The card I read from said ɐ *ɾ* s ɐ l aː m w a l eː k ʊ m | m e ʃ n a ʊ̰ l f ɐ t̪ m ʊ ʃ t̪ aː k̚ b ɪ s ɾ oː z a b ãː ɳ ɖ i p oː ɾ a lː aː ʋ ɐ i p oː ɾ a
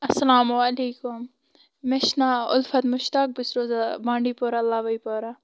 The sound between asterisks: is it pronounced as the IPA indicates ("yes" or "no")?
no